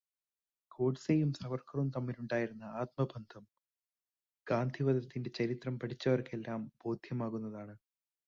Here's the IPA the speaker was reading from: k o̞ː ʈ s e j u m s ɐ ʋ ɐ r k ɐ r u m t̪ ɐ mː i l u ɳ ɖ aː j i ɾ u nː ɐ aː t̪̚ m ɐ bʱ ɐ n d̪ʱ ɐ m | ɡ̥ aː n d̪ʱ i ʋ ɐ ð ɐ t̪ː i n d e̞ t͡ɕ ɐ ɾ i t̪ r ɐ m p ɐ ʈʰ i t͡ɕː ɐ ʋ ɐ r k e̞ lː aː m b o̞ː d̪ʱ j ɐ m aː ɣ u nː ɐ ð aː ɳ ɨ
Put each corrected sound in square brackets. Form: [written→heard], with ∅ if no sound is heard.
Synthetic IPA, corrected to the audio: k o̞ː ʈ s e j u m s ɐ ʋ ɐ r k ɐ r u m t̪ ɐ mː i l u ɳ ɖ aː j i ɾ u nː ɐ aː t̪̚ m ɐ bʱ ɐ n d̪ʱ ɐ m | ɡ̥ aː n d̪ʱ i ʋ ɐ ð ɐ t̪ː i n d e̞ t͡ɕ ɐ ɾ i t̪ r ɐ m p ɐ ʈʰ i t͡ɕː ɐ ʋ ɐ r k e̞ lː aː m b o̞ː d̪ʱ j ɐ m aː ɣ u nː ɐ ð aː ɳ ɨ